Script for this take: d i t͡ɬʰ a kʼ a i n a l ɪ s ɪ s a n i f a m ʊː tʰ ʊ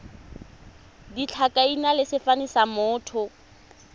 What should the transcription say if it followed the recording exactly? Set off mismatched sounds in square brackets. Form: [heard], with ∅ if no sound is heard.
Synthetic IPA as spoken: d i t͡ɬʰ a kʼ a i n a l ɪ s ɪ [f] a n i [s] a m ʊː tʰ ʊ